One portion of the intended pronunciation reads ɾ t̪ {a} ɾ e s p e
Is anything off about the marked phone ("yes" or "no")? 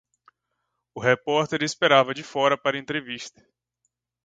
yes